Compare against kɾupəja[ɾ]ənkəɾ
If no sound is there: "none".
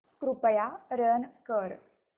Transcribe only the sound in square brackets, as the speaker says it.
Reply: ɾ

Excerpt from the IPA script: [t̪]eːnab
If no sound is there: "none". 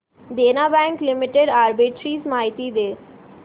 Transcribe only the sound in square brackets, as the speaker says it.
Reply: d̪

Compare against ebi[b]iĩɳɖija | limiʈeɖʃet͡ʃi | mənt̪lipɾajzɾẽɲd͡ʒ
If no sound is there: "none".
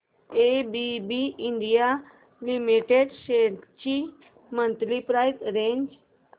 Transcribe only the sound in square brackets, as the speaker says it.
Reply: b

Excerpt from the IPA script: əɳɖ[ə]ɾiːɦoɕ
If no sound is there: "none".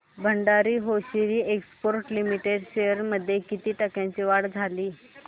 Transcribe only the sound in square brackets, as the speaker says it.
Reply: a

